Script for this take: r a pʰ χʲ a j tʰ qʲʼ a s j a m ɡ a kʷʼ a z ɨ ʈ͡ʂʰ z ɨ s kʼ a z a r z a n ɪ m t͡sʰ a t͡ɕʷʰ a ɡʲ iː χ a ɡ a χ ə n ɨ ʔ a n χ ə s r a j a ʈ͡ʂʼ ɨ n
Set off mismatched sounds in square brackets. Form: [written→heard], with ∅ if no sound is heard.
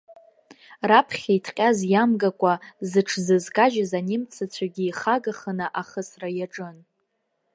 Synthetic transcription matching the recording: r a pʰ χʲ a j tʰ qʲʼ a [s→z] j a m ɡ a kʷʼ a z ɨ ʈ͡ʂʰ z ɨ [s→z] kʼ a [z→ʒ] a [r→∅] z a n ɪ m t͡sʰ a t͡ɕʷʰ a ɡʲ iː χ a ɡ a χ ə n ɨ ʔ a [n→∅] χ ə s r a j a ʈ͡ʂʼ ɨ n